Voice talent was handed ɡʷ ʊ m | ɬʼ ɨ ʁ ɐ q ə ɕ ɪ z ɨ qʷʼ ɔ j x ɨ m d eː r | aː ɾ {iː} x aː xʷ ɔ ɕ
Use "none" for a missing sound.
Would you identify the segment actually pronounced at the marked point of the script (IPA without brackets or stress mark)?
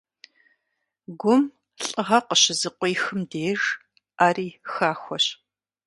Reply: iː